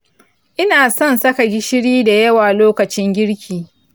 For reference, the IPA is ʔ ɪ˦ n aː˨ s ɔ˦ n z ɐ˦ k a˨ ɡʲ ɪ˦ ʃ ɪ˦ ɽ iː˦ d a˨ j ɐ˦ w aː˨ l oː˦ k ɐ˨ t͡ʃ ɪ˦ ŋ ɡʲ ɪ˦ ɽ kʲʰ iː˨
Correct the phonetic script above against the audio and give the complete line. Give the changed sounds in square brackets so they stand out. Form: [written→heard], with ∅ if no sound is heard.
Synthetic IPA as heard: ʔ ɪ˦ n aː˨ s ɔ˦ n [z→s] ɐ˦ k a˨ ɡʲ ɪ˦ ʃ ɪ˦ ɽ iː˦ d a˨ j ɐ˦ w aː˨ l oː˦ k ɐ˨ t͡ʃ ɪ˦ ŋ ɡʲ ɪ˦ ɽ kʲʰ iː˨